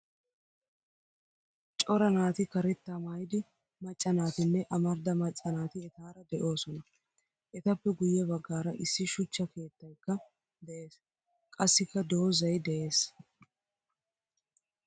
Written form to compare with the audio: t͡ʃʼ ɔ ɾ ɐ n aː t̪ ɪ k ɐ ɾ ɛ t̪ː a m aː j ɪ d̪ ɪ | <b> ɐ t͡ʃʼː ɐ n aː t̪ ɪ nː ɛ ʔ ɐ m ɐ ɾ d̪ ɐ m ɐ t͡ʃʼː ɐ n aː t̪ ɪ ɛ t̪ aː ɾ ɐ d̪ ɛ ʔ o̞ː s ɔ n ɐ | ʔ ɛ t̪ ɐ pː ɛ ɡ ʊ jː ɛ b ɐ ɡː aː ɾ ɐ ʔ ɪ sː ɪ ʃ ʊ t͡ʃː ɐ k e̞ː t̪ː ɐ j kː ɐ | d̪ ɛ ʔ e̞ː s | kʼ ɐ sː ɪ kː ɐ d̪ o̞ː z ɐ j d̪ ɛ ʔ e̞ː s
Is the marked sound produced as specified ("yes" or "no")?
no